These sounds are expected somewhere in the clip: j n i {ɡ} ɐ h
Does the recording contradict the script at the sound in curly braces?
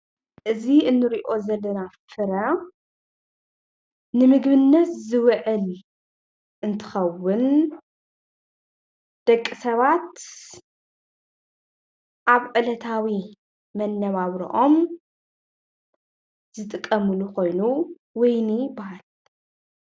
yes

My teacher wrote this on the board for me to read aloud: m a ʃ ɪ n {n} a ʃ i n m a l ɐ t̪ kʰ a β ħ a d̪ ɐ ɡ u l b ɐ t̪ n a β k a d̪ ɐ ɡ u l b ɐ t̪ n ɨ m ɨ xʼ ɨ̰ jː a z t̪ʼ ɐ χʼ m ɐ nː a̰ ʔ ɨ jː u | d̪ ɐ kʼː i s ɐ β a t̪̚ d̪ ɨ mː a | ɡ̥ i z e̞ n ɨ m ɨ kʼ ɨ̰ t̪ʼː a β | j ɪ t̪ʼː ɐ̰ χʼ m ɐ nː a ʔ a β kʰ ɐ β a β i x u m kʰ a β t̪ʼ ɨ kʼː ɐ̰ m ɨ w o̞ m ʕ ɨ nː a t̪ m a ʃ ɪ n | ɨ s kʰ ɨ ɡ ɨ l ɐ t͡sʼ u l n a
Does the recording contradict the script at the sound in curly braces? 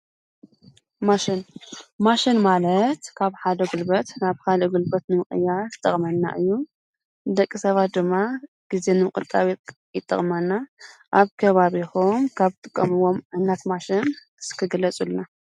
yes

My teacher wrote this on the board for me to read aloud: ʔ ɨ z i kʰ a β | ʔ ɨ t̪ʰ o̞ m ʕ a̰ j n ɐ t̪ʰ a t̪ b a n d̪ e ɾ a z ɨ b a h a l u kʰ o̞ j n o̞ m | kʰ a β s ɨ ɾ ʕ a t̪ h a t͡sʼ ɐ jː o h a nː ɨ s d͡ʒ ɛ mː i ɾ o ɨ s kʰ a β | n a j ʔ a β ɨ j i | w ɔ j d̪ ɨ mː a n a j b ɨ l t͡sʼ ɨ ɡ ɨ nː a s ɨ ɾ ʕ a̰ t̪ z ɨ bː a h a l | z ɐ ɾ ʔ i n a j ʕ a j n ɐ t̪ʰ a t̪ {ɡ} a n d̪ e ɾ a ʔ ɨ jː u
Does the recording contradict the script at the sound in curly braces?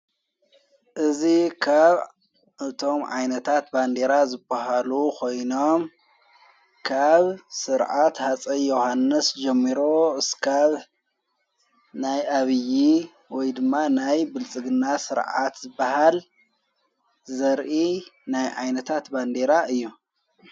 yes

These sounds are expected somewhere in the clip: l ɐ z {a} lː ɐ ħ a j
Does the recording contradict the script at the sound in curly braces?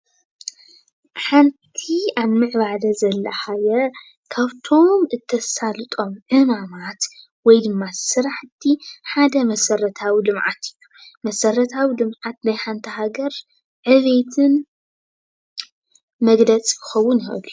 yes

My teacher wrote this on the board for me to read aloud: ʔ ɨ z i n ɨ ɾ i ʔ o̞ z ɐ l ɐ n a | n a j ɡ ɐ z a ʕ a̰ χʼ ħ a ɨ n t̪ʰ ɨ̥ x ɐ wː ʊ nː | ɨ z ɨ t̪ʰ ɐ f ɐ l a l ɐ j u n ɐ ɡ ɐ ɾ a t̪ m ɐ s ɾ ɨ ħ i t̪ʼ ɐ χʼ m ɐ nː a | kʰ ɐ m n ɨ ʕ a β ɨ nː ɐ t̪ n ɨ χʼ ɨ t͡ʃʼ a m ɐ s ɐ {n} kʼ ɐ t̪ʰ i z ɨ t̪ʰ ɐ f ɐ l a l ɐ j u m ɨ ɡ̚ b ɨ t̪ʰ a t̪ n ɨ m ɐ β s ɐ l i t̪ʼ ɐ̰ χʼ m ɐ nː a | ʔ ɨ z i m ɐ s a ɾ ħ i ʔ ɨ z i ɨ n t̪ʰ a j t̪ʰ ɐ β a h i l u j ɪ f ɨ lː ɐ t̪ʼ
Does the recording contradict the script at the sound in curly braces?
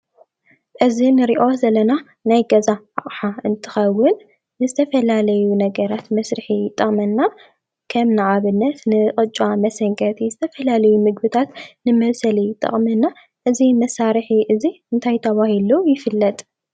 yes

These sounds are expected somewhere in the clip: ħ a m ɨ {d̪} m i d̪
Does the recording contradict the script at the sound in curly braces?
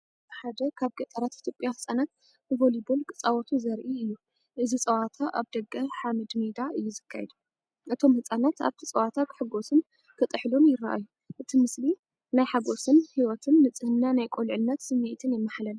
no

